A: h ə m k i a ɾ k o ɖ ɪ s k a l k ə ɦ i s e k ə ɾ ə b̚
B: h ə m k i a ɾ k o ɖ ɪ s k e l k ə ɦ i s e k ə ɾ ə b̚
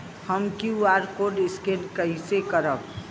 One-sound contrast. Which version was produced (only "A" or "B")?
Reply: B